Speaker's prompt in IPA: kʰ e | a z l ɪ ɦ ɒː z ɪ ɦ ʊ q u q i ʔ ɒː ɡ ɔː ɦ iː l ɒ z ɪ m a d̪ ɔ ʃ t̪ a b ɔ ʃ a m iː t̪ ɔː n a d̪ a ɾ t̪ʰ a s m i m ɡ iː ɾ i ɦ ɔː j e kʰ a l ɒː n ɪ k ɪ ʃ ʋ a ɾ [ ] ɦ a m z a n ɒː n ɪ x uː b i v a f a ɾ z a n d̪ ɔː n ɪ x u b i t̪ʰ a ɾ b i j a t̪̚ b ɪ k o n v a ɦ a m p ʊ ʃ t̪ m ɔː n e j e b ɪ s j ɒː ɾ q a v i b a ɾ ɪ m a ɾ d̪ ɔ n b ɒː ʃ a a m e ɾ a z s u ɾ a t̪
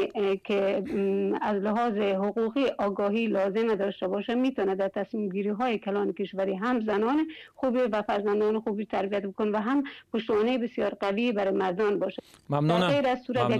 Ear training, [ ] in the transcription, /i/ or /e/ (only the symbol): i